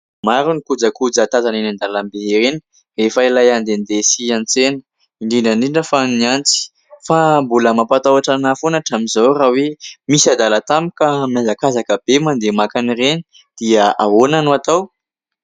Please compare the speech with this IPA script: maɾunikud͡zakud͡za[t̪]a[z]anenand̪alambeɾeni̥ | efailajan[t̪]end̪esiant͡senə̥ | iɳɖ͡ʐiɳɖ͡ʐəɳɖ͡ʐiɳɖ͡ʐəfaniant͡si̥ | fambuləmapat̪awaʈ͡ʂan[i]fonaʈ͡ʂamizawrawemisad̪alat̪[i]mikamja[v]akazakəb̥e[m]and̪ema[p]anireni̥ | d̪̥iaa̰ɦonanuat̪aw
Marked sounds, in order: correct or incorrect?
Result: correct, correct, incorrect, incorrect, incorrect, incorrect, correct, incorrect

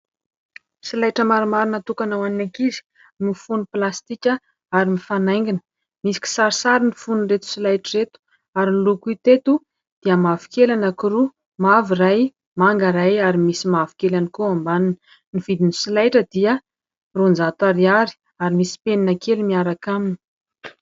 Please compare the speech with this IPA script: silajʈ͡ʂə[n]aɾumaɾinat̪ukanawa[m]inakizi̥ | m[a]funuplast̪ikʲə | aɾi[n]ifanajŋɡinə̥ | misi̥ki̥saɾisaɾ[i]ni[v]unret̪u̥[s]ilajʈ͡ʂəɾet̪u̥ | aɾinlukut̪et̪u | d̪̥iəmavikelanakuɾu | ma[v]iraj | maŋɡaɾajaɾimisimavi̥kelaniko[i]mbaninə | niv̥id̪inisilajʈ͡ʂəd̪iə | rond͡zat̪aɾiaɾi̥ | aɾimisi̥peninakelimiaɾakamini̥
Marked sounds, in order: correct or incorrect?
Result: incorrect, incorrect, incorrect, incorrect, correct, incorrect, correct, correct, incorrect

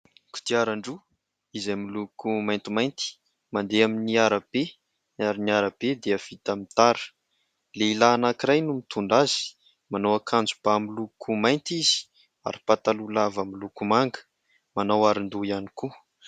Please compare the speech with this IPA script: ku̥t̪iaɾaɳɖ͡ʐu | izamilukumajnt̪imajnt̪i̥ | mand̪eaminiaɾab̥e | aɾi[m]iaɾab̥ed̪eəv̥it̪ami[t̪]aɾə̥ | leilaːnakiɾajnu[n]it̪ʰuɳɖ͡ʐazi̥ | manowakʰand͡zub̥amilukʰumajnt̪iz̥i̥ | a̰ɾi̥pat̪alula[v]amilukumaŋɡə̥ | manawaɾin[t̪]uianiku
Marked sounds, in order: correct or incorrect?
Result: incorrect, correct, incorrect, correct, incorrect

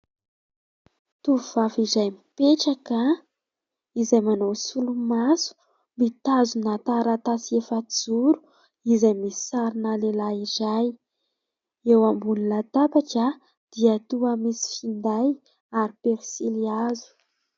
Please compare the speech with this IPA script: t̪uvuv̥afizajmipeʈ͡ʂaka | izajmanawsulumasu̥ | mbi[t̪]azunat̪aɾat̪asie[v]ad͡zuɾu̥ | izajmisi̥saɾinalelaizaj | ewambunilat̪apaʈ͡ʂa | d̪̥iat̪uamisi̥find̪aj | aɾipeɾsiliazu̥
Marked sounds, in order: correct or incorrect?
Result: correct, incorrect

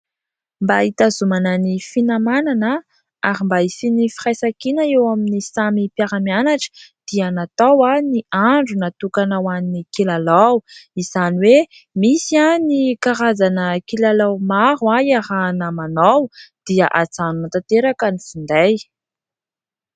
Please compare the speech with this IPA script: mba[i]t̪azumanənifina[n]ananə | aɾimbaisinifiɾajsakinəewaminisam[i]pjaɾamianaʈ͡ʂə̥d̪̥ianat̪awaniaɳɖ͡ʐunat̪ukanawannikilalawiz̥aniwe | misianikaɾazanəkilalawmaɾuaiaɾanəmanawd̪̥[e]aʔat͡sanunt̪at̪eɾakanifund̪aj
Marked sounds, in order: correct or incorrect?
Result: correct, incorrect, correct, incorrect

